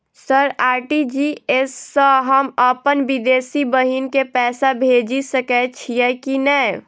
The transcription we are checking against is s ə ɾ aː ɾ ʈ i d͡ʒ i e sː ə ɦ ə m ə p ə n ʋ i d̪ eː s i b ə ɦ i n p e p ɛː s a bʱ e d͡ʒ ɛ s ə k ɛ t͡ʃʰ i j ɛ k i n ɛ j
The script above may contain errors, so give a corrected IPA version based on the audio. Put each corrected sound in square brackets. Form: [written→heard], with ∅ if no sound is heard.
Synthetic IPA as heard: s ə ɾ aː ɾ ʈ i d͡ʒ i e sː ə ɦ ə m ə p ə n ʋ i d̪ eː s i b ə ɦ i n [p→k] e p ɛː s a bʱ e d͡ʒ [ɛ→i] s ə k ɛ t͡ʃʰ i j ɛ k i n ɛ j